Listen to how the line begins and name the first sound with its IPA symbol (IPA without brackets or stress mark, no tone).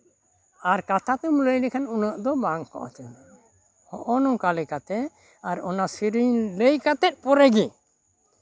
a